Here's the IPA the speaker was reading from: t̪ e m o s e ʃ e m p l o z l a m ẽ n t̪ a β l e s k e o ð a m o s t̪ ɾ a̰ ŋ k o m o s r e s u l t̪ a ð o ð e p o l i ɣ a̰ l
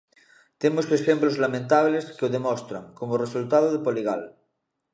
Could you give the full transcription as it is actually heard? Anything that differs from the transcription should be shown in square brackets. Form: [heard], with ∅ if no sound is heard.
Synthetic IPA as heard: t̪ e m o s e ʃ e m p l o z l a m ẽ n t̪ a β l e s k e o ð [e] m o s t̪ ɾ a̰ ŋ k o m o [∅] r e s u l t̪ a ð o ð e p o l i ɣ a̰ l